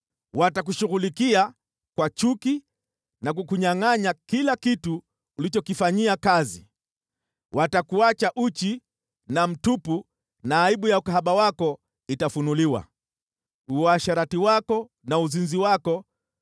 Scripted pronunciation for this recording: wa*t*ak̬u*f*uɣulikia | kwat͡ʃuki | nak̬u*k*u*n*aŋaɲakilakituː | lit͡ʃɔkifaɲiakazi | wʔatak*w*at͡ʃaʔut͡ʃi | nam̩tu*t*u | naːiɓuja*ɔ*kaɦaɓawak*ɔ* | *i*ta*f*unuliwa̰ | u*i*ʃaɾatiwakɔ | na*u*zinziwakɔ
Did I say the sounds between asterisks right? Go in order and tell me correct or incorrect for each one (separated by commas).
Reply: correct, incorrect, correct, incorrect, incorrect, incorrect, incorrect, correct, correct, correct, incorrect, correct